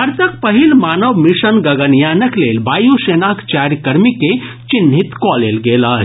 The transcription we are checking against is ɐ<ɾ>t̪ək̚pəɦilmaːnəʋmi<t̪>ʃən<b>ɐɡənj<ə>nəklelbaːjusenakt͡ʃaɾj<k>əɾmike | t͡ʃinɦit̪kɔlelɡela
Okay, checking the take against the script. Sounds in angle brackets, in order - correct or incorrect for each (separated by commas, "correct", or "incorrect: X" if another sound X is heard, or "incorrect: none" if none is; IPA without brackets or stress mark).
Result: correct, incorrect: none, incorrect: ɡ, incorrect: a, correct